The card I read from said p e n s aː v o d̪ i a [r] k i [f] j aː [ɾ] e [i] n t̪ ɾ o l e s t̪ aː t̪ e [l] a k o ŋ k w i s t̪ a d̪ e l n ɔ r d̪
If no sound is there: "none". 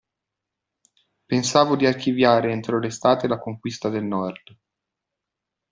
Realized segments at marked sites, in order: r, v, ɾ, e, l

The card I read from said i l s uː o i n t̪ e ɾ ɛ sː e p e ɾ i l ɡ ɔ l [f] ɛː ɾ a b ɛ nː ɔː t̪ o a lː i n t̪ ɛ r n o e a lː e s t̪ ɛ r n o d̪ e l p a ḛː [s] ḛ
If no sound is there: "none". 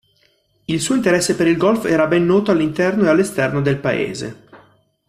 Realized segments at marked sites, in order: f, z

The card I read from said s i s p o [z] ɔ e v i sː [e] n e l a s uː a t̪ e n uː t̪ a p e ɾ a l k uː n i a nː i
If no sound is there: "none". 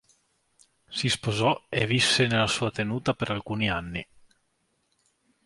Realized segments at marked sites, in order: z, e

